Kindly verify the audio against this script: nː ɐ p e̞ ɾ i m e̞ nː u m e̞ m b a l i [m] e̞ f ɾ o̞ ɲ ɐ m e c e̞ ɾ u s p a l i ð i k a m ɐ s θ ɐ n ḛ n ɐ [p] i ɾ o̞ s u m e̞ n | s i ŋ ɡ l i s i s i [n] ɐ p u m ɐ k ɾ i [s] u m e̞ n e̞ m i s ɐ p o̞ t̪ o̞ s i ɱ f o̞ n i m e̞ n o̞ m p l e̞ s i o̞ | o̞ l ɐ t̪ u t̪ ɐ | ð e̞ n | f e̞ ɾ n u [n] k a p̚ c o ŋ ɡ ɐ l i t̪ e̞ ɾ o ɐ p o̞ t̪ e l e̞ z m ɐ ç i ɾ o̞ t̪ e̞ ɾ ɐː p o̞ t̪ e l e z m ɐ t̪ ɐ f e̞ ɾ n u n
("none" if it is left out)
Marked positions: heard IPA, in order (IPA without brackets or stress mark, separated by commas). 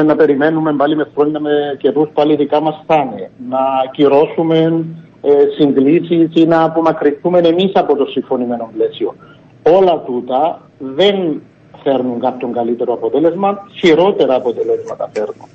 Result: m, c, n, θ, ŋ